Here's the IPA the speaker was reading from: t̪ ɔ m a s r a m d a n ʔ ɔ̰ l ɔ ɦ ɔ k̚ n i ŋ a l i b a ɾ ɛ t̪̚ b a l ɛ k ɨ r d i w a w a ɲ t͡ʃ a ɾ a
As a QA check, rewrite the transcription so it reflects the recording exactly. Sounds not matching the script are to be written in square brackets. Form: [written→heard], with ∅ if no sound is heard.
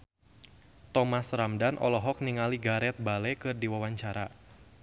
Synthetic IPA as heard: t̪ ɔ m a s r a m d a n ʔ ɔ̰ l ɔ ɦ ɔ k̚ n i ŋ a l i [b→ɡ] a ɾ ɛ t̪̚ b a l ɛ k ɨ r d i w a w a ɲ t͡ʃ a ɾ a